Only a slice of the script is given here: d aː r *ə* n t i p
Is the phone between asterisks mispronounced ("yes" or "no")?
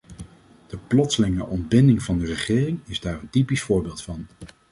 no